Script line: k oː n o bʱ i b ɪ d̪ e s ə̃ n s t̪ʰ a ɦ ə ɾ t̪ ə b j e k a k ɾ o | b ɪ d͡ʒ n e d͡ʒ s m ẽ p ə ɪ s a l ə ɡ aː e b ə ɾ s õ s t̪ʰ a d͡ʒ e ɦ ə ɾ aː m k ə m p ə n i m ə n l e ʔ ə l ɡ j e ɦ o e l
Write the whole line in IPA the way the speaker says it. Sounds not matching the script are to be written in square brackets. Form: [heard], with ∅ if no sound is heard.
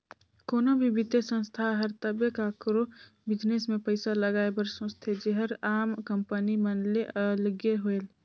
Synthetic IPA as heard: k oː n o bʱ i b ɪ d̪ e s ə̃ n s t̪ʰ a ɦ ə ɾ t̪ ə b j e k a k ɾ o | b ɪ d͡ʒ n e [∅] s m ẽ p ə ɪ s a l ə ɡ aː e b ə ɾ s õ s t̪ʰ [e] d͡ʒ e ɦ ə ɾ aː m k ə m p ə n i m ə n l e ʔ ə l ɡ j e ɦ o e l